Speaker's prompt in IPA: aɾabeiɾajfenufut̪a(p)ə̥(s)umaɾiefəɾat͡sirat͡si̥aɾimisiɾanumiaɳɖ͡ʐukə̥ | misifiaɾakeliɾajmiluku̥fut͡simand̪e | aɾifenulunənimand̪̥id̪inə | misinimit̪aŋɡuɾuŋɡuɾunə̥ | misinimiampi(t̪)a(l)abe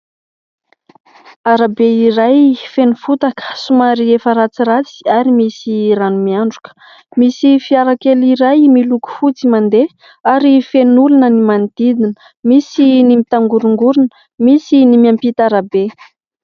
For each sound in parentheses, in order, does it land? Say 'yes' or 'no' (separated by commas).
no, yes, yes, no